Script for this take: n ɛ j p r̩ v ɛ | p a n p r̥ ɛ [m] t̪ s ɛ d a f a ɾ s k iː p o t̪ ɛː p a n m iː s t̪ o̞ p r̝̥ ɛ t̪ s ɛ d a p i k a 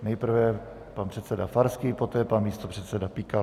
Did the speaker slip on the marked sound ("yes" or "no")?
yes